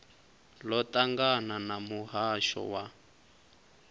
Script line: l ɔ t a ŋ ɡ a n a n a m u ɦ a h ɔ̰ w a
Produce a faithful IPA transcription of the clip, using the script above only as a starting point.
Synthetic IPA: l ɔ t a ŋ ɡ a n a n a m u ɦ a ʃ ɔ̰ w a